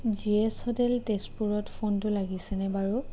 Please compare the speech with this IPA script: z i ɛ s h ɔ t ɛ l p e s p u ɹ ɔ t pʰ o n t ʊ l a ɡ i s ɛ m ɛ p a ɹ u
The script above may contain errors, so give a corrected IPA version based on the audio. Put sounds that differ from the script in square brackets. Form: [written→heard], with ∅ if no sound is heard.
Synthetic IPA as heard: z i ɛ s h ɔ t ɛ l [p→t] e s p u ɹ ɔ t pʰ o n t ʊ l a ɡ i s ɛ [m→n] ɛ [p→b] a ɹ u